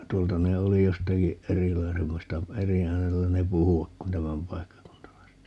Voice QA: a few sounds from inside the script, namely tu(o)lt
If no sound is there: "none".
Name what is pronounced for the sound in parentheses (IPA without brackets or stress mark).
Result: o